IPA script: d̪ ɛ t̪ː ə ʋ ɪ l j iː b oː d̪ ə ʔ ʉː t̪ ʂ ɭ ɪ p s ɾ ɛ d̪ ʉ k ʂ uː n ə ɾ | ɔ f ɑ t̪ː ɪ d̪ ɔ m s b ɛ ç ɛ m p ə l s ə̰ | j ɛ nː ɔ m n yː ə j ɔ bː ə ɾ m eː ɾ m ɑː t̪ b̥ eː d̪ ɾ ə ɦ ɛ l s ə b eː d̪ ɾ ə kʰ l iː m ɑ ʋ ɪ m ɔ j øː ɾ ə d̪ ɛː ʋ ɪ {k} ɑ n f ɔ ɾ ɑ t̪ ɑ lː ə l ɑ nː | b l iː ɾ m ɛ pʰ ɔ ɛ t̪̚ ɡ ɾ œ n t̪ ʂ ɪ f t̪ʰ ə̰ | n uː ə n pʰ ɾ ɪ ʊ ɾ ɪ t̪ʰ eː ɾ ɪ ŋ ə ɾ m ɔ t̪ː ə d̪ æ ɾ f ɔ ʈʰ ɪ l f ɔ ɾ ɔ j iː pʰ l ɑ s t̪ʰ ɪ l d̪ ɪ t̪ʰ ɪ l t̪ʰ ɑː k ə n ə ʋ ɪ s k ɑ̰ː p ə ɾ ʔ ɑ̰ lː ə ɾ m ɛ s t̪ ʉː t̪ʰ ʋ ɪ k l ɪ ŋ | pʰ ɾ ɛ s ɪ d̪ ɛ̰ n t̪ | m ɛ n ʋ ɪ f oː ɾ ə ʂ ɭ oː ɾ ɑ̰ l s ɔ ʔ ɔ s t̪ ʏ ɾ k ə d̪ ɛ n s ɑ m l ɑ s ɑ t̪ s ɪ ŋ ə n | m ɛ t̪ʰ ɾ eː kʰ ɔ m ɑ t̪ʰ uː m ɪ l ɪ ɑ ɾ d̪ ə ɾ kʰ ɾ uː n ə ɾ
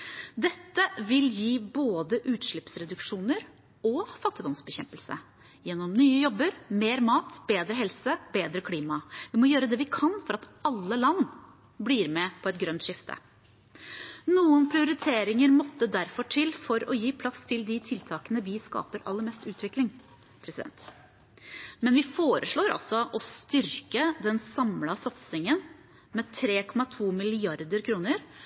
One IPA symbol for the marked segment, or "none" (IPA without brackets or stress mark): kʰ